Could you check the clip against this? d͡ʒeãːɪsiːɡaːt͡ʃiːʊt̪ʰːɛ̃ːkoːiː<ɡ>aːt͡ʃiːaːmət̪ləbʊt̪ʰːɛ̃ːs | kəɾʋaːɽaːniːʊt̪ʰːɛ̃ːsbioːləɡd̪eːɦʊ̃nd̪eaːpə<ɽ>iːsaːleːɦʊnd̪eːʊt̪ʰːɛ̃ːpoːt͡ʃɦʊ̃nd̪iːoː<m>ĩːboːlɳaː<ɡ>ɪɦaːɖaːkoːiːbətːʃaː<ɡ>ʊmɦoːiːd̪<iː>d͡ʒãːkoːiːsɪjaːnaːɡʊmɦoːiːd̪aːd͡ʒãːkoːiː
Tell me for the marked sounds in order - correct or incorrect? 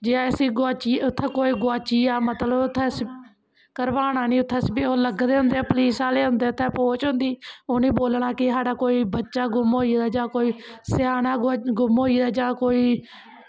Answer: correct, incorrect, incorrect, incorrect, correct, incorrect

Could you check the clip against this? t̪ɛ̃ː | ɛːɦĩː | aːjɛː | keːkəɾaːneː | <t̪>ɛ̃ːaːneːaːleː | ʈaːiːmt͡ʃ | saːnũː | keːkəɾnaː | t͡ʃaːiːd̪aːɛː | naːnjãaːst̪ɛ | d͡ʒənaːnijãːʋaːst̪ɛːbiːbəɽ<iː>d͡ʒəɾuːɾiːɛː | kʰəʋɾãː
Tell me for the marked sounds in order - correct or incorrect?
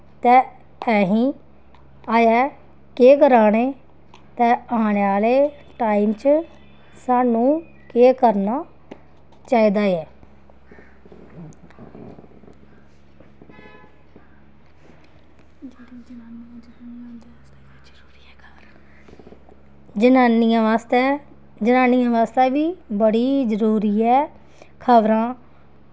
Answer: correct, correct

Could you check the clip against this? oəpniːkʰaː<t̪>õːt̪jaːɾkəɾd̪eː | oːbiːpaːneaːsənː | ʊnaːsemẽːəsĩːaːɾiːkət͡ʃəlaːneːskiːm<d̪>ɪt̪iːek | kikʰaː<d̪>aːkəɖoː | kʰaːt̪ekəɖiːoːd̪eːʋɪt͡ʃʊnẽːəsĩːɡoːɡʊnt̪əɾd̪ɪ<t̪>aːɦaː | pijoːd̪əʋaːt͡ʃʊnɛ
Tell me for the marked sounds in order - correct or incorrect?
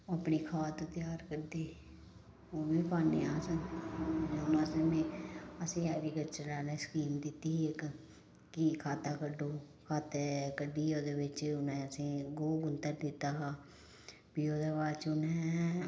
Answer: correct, correct, incorrect, correct

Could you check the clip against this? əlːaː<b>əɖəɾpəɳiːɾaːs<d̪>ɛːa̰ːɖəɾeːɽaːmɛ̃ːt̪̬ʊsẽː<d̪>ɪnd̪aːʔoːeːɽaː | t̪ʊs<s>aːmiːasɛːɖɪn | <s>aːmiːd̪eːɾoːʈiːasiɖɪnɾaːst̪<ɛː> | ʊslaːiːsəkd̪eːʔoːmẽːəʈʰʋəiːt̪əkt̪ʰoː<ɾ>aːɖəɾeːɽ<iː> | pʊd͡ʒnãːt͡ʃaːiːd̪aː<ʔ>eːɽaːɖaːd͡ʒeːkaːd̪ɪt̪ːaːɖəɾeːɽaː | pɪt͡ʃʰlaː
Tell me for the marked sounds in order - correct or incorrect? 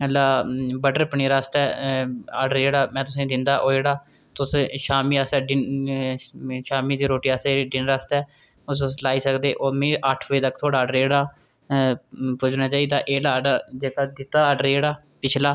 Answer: correct, incorrect, correct, incorrect, incorrect, correct, incorrect, incorrect, correct

